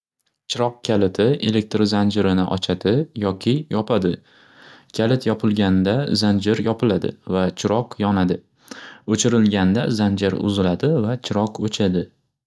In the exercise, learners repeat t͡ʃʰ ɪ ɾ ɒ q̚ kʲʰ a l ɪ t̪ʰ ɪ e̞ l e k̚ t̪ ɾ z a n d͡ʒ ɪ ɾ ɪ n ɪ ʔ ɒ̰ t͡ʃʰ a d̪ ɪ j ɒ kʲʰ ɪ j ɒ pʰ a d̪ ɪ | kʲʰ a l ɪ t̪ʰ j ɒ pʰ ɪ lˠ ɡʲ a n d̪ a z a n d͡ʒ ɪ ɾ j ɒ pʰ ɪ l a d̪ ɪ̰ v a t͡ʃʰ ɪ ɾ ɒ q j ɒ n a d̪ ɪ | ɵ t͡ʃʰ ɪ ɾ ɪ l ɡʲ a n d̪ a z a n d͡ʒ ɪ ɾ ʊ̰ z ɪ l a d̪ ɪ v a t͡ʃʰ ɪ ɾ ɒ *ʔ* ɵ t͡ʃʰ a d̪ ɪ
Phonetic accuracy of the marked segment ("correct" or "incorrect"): incorrect